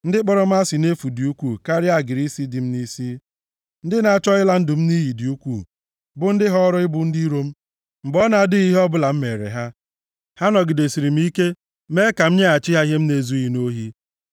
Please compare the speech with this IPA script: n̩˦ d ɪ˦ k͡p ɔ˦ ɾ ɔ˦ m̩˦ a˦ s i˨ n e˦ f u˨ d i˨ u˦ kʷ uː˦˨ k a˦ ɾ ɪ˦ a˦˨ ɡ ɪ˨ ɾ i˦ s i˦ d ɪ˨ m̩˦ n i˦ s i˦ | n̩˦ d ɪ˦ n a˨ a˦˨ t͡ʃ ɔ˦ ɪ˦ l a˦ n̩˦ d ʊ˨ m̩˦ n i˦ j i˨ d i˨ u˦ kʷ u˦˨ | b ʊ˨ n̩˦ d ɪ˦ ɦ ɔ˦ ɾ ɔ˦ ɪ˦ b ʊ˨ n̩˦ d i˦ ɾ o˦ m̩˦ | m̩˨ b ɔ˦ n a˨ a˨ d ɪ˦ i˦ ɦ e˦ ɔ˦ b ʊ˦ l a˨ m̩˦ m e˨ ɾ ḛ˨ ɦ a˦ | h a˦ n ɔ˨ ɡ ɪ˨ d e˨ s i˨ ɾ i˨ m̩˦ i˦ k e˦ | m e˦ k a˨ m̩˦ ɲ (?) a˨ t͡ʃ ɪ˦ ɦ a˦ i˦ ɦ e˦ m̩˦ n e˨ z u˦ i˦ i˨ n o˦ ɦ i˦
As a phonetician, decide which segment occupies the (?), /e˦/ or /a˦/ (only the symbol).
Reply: e˦